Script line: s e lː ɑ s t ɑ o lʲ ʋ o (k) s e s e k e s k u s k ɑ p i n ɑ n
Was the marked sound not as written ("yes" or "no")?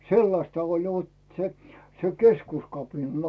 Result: yes